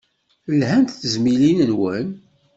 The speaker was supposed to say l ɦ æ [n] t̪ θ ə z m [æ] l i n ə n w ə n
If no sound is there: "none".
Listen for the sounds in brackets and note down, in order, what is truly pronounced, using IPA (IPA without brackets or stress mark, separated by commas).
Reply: n, i